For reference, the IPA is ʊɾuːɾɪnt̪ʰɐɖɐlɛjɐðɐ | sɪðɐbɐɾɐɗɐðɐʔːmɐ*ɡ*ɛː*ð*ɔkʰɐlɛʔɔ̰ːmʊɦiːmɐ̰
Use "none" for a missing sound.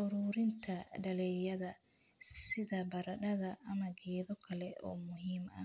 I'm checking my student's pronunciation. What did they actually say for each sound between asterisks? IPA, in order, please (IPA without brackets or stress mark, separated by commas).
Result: ɡ, ð